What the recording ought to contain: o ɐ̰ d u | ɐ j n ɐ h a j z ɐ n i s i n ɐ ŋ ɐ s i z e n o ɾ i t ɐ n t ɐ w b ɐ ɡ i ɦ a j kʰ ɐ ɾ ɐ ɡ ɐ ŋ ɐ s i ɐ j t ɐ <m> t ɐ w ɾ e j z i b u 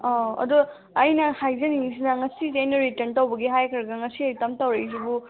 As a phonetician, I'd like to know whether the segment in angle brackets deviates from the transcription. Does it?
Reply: no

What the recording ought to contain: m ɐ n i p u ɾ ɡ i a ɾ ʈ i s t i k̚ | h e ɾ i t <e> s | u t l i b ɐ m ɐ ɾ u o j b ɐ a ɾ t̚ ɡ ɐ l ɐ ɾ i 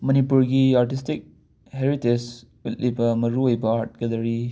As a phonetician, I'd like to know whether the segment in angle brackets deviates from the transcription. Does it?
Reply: no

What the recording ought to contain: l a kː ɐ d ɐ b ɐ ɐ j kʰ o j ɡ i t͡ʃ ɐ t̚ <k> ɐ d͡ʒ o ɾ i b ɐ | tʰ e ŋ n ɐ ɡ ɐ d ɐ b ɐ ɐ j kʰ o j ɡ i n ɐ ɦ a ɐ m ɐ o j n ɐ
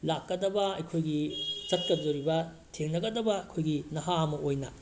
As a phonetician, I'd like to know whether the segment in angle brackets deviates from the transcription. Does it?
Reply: no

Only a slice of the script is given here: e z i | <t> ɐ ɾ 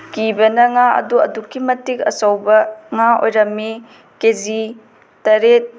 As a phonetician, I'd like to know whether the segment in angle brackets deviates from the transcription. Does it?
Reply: no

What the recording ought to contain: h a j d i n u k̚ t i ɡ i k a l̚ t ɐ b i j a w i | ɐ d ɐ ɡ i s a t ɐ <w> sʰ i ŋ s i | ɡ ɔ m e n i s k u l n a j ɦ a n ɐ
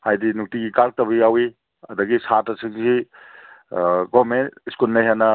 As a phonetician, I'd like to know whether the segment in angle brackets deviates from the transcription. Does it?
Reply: yes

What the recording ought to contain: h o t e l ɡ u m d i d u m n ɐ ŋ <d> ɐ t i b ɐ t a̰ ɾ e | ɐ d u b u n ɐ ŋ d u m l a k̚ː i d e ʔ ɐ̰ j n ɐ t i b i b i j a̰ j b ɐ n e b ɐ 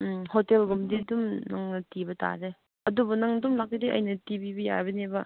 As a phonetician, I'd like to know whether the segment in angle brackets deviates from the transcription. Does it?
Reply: yes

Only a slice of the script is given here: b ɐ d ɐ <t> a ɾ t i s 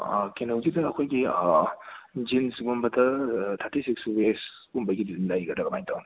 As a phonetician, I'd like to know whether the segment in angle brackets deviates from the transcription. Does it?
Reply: yes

